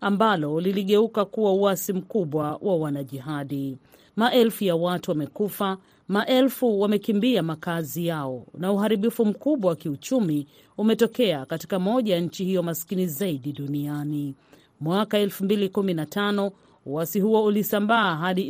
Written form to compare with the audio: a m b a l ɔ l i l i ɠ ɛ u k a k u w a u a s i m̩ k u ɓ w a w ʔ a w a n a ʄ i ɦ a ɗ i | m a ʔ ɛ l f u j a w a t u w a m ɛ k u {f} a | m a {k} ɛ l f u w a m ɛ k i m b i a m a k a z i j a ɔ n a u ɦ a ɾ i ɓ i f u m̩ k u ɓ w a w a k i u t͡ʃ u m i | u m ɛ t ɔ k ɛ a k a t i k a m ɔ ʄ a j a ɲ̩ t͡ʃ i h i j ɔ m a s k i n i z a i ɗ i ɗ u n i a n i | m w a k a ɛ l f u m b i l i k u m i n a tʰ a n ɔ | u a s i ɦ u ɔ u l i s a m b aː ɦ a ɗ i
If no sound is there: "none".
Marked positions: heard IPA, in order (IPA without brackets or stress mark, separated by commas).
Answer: f, ʔ